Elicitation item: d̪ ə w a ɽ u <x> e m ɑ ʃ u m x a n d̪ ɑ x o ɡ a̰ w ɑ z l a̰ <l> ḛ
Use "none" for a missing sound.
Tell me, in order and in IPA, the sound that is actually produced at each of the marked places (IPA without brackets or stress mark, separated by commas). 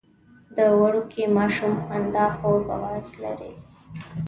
k, ɾ